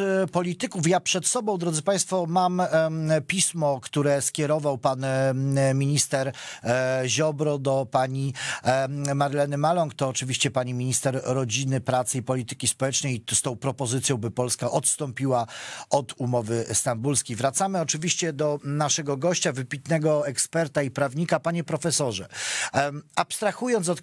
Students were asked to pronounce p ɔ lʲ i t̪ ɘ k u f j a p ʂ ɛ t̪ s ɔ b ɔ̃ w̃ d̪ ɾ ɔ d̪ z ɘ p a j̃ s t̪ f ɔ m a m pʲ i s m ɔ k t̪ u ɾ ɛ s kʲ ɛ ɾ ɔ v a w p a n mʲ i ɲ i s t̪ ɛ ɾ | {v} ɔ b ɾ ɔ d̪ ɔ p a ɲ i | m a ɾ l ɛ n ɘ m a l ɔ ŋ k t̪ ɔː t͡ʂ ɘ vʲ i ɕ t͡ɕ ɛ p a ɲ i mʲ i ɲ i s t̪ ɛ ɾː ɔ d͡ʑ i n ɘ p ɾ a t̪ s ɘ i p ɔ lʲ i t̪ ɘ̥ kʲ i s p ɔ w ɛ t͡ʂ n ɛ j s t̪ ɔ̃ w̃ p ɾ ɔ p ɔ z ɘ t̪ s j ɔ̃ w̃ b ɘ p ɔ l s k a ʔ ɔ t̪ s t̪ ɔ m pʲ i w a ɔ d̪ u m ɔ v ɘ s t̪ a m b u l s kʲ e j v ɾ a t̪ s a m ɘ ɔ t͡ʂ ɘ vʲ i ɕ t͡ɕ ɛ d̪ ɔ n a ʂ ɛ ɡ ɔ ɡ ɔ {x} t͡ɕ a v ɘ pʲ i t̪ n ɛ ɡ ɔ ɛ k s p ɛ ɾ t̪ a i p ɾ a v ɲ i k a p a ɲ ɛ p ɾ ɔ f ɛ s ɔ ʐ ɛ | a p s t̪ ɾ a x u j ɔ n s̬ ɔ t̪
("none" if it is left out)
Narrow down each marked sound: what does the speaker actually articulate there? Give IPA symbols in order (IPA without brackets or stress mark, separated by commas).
ʑ, ɕ